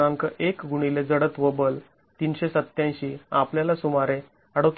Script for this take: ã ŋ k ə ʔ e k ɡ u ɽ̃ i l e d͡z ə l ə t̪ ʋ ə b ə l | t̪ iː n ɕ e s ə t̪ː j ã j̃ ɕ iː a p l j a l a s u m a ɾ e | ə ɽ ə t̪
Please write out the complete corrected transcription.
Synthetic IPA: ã ŋ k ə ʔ e k ɡ u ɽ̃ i l e d͡z ə ɽ ə t̪ ʋ ə b ə l | t̪ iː n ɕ e s ə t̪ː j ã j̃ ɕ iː a p l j a l a s u m a ɾ e | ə ɽ ə t̪